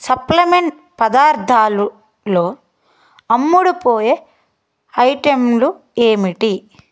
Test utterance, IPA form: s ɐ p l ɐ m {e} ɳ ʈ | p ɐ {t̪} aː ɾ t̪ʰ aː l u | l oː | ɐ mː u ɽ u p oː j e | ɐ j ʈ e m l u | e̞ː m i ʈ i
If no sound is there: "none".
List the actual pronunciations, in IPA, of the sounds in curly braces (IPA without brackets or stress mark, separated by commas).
e, d̪